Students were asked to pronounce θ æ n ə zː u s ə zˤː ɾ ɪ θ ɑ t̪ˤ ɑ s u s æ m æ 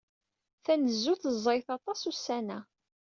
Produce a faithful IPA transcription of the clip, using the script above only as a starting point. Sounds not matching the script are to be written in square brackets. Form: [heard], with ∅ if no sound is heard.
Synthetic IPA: θ æ n ə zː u [θ] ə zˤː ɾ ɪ θ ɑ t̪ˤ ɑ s u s æ [n] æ